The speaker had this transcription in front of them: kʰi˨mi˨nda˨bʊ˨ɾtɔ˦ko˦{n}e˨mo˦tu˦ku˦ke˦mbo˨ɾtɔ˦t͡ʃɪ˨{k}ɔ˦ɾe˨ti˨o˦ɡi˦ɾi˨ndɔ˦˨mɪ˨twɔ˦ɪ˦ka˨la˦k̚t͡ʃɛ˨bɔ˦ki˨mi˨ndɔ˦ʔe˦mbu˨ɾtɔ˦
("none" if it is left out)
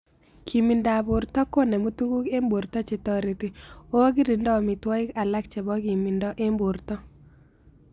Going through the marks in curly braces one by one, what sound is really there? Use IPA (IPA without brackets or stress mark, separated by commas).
n, t